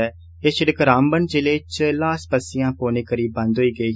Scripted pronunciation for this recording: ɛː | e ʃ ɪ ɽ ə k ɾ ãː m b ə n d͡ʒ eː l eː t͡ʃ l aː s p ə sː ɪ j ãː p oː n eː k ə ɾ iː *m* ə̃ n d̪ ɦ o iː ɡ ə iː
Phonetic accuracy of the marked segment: incorrect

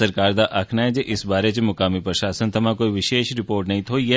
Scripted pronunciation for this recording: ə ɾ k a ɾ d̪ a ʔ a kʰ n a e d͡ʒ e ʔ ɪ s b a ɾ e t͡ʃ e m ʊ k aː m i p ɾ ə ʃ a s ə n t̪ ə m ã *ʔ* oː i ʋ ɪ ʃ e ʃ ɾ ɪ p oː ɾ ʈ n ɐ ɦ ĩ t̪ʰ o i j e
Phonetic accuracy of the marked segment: incorrect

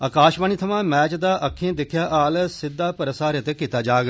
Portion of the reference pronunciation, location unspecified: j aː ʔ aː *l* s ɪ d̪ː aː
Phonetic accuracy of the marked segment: correct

